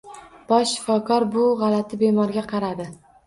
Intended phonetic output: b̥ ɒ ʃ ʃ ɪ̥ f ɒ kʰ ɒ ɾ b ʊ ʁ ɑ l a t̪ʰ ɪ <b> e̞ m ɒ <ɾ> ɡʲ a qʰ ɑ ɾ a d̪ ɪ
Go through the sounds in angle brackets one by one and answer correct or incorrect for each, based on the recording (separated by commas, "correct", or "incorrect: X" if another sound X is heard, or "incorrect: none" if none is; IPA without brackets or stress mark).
correct, correct